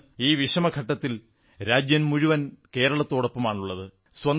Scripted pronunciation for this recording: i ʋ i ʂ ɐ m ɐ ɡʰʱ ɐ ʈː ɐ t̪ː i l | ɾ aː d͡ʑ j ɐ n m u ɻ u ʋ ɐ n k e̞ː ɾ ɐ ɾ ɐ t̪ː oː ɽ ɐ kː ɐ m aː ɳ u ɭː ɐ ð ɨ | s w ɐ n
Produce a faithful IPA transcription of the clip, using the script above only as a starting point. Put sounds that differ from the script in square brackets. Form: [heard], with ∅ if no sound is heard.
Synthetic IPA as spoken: [iː] ʋ i ʂ ɐ m ɐ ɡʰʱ ɐ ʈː ɐ t̪ː i l | ɾ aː d͡ʑ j ɐ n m u ɻ u ʋ ɐ n k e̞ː ɾ ɐ [ɭ] ɐ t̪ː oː ɽ ɐ [pː] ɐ m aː ɳ u ɭː ɐ ð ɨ | s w ɐ n

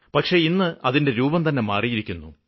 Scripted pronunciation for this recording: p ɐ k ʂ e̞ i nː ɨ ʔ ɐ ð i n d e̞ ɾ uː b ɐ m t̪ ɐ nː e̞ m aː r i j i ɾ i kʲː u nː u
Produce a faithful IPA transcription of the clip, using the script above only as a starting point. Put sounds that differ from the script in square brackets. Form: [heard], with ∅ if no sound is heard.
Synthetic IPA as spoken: p ɐ k ʂ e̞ i nː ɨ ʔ ɐ ð i n d e̞ ɾ uː b ɐ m t̪ ɐ nː e̞ m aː r i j i ɾ i kʲː u nː u

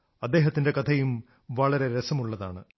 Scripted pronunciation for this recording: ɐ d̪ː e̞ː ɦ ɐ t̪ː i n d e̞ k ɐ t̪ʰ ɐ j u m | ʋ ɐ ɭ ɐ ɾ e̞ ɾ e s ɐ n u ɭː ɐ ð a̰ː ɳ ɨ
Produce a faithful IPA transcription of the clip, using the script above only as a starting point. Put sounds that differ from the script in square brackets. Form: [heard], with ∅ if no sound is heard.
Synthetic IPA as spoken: ɐ d̪ː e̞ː ɦ ɐ t̪ː i n d e̞ k ɐ t̪ʰ ɐ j u m | ʋ ɐ ɭ ɐ ɾ e̞ ɾ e s ɐ [m] u ɭː ɐ ð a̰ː ɳ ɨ

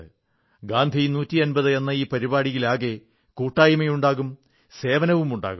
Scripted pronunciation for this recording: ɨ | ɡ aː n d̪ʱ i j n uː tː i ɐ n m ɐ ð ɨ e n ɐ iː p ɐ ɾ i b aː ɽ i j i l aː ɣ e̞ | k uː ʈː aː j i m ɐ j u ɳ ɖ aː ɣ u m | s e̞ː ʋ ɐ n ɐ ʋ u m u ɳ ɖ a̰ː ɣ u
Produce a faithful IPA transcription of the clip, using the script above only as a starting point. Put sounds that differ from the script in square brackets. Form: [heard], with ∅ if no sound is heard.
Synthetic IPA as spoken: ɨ | ɡ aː n d̪ʱ i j n uː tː i ɐ n [b] ɐ ð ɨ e [nː] ɐ iː p ɐ ɾ i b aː ɽ i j i l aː ɣ e̞ | k uː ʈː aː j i m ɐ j u ɳ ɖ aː ɣ u m | s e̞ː ʋ ɐ n ɐ ʋ u m u ɳ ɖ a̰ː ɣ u

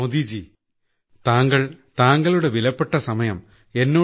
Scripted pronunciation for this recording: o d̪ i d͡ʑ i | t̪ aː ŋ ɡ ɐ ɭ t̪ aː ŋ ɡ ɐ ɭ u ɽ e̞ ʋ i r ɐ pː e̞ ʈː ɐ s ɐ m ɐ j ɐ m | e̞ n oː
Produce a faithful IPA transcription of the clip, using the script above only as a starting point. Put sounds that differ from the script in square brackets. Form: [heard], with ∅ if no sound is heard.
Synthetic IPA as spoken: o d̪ i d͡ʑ i | t̪ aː ŋ ɡ ɐ ɭ t̪ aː ŋ ɡ ɐ ɭ u ɽ e̞ ʋ i [l] ɐ pː e̞ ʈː ɐ s ɐ m ɐ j ɐ m | e̞ [nː] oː

